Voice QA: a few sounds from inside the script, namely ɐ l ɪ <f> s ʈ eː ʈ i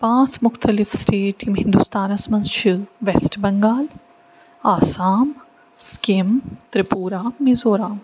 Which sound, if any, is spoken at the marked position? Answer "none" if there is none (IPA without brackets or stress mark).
f